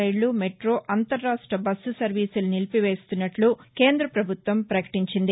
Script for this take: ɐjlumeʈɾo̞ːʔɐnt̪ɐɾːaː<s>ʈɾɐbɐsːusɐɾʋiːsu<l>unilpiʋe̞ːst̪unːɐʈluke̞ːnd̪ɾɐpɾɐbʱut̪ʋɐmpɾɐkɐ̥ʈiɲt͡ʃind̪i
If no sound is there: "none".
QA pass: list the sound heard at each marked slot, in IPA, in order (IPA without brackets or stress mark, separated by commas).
ʂ, l